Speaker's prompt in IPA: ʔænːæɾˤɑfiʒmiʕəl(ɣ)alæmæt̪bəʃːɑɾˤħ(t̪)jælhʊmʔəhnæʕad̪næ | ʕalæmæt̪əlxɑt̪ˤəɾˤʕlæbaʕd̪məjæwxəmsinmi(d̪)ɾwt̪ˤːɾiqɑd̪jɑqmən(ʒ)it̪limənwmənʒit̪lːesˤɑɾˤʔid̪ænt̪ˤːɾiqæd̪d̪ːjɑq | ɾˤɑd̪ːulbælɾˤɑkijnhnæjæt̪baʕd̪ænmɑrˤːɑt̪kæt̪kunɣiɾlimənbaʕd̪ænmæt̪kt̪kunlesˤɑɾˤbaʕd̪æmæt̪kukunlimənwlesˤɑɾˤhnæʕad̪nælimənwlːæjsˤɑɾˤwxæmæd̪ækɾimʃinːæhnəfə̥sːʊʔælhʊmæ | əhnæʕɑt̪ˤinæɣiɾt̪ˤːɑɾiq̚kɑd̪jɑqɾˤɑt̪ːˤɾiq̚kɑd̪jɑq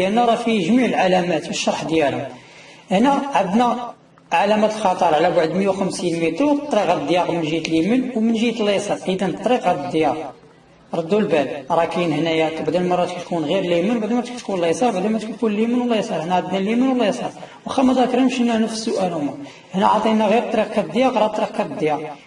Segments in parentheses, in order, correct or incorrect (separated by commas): incorrect, incorrect, incorrect, correct